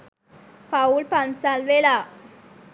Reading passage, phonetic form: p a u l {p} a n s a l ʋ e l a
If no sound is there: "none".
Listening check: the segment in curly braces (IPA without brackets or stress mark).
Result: p